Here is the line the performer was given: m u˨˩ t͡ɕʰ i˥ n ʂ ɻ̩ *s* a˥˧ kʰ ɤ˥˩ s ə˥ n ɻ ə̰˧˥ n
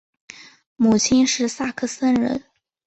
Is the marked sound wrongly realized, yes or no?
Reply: no